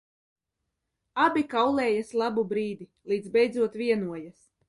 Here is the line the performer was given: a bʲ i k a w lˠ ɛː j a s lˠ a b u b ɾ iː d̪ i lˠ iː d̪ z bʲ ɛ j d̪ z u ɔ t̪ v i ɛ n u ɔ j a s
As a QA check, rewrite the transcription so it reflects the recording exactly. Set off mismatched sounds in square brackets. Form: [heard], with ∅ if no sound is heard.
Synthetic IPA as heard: a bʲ i k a w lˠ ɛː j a s lˠ a b u b ɾ iː d̪ i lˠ iː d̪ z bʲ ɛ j d̪ z u ɔ t̪ v i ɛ n u ɔ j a s

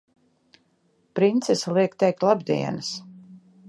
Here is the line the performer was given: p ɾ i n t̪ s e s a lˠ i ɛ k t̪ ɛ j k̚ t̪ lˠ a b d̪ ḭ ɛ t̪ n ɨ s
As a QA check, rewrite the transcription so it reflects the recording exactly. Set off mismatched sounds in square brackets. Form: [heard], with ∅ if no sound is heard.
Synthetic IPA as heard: p ɾ i n t̪ s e s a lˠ i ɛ k t̪ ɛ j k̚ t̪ lˠ a b d̪ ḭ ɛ [∅] n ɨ s

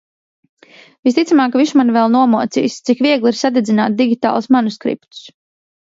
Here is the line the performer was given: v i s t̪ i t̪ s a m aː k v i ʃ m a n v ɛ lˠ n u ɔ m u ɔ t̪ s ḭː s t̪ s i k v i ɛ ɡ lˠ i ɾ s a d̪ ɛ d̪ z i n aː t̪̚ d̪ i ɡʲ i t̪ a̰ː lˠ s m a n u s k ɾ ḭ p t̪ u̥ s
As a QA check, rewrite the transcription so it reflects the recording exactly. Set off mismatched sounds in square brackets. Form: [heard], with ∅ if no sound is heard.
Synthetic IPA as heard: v i s t̪ i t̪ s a m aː k v i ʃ m a n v ɛ lˠ n u ɔ m u ɔ t̪ s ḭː s t̪ s i k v i ɛ ɡ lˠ i ɾ s a d̪ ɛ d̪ z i n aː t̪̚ d̪ i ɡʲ i t̪ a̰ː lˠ s m a n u s k ɾ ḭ p t̪ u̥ s

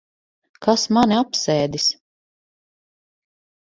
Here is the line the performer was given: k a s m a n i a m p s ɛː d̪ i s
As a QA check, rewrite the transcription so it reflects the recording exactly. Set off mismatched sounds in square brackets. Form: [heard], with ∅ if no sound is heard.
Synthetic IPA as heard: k a s m a n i a [∅] p s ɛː d̪ i s

